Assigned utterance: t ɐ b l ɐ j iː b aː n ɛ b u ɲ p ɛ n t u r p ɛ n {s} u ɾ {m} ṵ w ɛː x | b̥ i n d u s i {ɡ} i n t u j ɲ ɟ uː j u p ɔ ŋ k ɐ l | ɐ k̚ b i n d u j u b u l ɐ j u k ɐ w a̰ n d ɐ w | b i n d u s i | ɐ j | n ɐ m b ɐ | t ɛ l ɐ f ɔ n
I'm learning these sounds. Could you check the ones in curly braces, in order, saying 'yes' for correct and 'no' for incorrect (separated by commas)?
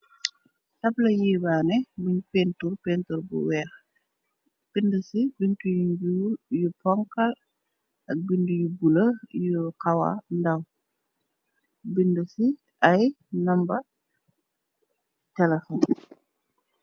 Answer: no, no, no